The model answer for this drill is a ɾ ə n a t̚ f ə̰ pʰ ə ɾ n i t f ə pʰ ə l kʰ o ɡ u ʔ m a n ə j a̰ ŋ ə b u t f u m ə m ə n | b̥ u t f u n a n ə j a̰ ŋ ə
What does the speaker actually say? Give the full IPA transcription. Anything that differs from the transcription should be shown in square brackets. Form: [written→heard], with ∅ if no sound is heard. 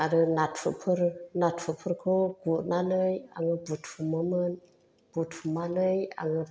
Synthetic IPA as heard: a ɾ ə n a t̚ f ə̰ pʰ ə ɾ n [i→a] t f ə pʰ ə [l→ɾ] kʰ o ɡ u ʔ [m→n] a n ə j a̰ ŋ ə b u t f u m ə m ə n | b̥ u t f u [n→m] a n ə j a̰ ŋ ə